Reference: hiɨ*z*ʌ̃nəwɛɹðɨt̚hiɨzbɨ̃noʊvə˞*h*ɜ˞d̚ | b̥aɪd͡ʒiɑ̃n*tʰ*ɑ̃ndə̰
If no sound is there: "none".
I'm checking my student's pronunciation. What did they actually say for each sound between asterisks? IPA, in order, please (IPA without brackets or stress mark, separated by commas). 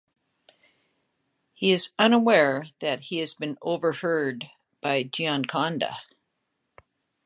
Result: z, h, kʰ